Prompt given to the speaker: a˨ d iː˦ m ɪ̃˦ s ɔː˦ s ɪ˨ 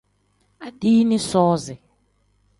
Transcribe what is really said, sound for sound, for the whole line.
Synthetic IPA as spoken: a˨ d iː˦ n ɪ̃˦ s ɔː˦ z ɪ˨